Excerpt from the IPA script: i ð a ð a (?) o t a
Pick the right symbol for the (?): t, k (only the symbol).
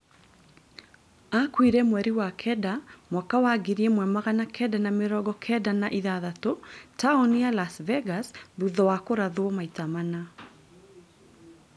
t